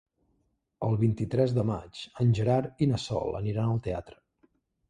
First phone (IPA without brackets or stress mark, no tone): ə